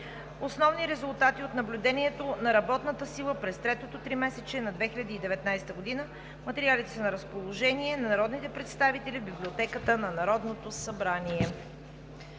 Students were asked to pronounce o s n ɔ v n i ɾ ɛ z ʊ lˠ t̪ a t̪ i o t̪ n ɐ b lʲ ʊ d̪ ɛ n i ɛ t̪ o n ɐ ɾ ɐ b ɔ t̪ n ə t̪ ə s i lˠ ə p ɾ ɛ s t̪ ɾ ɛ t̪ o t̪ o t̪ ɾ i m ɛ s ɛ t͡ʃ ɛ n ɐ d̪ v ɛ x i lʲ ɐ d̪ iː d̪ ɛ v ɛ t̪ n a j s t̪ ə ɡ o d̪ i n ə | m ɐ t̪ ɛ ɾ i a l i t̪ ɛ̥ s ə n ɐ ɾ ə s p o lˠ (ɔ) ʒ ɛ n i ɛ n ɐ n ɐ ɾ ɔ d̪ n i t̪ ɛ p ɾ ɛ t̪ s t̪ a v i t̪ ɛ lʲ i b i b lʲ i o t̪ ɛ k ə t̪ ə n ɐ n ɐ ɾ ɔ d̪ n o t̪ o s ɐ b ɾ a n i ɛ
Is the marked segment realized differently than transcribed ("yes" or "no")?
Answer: yes